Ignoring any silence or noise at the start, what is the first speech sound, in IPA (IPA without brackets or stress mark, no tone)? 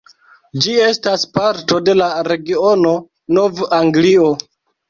d͡ʒ